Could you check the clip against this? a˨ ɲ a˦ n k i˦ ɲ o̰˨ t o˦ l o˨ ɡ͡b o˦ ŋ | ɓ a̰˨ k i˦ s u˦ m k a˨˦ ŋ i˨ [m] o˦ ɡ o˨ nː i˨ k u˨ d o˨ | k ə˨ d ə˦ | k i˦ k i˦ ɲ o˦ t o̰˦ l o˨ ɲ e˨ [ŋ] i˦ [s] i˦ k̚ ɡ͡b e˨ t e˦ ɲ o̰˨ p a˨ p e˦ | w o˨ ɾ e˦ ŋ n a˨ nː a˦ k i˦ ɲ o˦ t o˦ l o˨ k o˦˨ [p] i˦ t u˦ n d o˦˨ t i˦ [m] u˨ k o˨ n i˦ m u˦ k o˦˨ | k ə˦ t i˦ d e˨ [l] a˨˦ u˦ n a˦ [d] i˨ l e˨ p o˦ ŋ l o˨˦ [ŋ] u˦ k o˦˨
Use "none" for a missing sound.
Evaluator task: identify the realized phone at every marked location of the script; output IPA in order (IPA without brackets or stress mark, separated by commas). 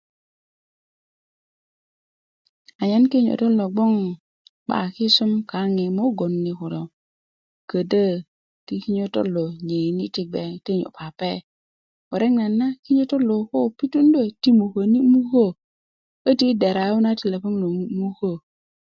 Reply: m, n, t, p, m, ɾ, t, m